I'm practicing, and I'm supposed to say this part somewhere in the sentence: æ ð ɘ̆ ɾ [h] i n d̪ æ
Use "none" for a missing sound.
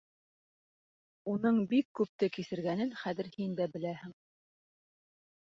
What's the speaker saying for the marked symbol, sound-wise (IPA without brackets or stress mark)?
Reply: h